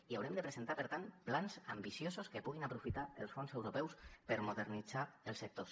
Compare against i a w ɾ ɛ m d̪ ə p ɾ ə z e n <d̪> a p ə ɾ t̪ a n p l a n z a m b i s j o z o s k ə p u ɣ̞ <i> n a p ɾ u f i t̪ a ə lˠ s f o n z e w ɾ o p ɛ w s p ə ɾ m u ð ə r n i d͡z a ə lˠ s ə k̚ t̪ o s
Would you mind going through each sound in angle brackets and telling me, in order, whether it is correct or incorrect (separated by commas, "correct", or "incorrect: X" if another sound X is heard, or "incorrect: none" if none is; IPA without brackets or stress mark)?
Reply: incorrect: t̪, correct